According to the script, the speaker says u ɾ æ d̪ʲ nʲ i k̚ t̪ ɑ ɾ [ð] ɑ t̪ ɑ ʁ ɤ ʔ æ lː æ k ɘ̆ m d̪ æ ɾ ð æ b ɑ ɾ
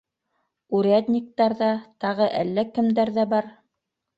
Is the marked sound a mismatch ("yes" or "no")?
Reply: no